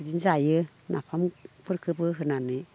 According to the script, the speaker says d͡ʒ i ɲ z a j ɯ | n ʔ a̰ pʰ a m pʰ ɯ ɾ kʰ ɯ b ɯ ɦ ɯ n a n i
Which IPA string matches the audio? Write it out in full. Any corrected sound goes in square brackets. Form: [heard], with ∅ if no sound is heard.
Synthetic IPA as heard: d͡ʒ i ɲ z a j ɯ | n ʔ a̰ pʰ a m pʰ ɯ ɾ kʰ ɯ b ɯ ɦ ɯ n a n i